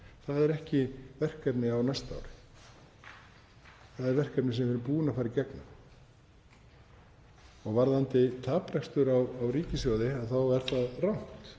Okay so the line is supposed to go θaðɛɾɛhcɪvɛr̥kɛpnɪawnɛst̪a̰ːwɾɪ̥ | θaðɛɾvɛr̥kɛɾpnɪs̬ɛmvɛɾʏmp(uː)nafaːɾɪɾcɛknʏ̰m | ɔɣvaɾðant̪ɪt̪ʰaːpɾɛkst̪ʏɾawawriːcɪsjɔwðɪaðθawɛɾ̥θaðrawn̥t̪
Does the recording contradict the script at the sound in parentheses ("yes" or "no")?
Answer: no